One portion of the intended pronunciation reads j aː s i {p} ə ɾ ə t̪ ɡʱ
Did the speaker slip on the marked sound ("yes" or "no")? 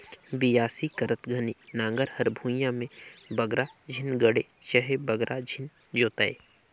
yes